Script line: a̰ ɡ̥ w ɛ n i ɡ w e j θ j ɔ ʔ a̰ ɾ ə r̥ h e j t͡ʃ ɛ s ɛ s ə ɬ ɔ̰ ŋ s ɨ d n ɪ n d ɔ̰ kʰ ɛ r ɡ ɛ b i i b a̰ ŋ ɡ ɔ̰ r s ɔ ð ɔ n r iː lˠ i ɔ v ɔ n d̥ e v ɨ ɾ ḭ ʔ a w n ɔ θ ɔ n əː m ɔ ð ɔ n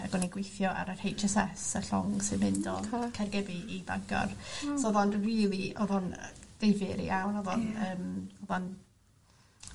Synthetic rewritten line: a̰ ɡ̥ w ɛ n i ɡ w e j θ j ɔ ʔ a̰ ɾ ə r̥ h e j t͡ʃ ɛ s ɛ s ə ɬ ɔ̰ ŋ s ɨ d m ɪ n d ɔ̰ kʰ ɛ r ɡ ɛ b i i b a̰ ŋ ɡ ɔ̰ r s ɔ ð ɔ n r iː lˠ i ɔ ð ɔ n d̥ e v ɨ ɾ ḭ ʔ a w n ɔ ð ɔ n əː m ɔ ð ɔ n